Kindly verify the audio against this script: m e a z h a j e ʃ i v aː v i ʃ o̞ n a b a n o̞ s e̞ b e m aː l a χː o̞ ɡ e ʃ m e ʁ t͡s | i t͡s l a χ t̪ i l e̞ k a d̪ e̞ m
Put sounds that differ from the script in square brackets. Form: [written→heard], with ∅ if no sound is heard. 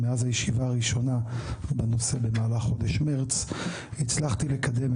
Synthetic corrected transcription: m e a z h a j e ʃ i v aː [v→ʁ] i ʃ o̞ n a b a n o̞ s e̞ b e m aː l a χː o̞ [ɡ→d] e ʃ m e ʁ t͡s | i t͡s l a χ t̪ i l e̞ k a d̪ e̞ m